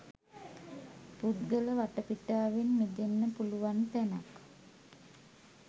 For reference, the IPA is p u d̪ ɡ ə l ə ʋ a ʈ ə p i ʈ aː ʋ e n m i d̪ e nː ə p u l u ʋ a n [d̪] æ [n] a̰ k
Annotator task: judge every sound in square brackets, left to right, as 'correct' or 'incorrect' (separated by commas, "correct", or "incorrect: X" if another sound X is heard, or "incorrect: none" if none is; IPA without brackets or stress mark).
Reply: incorrect: t̪, correct